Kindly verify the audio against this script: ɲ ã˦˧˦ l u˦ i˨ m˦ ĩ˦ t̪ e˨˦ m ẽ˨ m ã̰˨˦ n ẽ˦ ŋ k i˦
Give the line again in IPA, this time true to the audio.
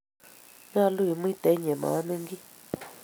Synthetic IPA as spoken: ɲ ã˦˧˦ l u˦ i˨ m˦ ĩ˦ t̪ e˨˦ ɲ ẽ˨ m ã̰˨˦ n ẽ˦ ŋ ɡ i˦